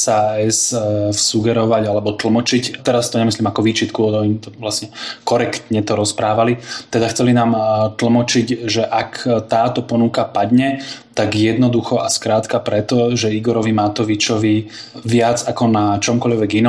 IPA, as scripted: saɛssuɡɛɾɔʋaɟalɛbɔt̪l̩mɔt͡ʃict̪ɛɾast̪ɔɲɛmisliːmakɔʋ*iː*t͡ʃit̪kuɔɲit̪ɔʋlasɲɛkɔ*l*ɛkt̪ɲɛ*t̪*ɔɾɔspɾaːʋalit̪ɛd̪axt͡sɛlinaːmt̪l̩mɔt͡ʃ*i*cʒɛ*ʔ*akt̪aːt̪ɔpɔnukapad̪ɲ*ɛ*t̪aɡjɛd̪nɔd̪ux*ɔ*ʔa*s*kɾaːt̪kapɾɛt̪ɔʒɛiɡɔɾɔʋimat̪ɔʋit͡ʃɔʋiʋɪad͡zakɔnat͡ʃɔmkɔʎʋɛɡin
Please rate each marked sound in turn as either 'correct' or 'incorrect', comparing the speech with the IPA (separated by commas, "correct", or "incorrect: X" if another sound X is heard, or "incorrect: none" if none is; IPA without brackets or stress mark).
correct, incorrect: ɾ, correct, correct, correct, correct, correct, correct